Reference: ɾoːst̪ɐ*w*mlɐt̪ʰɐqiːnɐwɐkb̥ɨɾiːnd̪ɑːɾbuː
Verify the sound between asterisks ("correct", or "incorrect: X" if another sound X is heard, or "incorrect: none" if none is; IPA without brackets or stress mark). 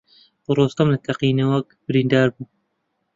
incorrect: none